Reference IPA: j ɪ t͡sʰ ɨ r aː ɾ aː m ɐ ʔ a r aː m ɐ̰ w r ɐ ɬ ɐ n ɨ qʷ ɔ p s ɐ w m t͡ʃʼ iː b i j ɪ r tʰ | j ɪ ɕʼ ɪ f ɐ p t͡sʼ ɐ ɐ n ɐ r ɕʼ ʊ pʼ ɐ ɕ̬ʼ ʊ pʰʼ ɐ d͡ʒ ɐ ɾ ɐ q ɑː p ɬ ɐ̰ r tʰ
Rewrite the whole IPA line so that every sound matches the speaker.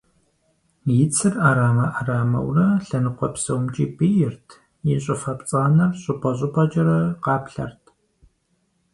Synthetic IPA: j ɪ t͡sʰ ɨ r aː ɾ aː m ɐ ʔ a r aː m ɐ̰ w r ɐ ɬ ɐ n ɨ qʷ ɔ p s ɐ w m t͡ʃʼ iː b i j ɪ r tʰ | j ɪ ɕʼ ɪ f ɐ p t͡sʼ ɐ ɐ n ɐ r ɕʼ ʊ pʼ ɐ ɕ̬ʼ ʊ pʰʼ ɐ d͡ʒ ɐ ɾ ɐ q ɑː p ɬ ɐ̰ r tʰ